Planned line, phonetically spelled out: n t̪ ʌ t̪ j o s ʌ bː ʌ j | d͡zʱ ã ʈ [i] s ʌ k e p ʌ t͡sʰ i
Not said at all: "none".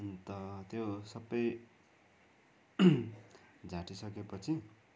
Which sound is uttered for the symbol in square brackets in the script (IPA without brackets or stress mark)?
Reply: i